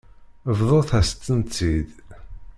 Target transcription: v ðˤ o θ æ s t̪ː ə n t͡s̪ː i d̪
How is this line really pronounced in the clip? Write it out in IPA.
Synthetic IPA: v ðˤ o θ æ s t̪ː ə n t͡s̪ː i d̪